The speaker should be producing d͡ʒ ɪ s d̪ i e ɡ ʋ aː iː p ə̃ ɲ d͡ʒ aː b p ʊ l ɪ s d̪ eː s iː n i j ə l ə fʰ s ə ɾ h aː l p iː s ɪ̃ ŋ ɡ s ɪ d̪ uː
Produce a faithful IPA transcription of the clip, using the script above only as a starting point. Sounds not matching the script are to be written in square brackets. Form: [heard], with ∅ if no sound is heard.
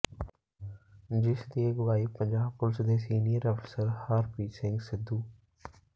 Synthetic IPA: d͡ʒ ɪ s d̪ i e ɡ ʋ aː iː p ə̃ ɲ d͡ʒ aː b p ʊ l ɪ s d̪ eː s iː n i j ə [ɾ] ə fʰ s ə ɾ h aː [ɾ] p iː s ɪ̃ ŋ ɡ s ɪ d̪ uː